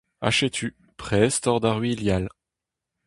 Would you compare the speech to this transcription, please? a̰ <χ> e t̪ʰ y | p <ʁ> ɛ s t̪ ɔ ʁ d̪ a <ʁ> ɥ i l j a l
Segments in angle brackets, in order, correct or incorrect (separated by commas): incorrect, incorrect, correct